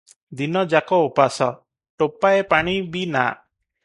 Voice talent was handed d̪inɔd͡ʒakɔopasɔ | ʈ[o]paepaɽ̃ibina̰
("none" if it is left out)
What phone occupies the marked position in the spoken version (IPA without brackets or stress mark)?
o